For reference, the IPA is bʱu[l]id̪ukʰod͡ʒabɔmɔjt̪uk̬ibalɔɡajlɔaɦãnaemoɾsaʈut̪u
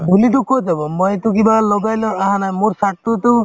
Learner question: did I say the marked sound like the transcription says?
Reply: yes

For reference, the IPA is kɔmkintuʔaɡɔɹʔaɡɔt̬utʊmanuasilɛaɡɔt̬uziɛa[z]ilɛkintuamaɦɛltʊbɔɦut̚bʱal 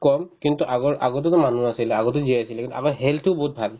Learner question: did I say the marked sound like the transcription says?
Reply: no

